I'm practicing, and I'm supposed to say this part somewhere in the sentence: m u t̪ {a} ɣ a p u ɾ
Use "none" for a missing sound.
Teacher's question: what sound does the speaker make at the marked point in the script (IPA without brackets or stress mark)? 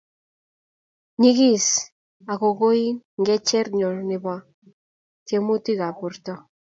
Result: i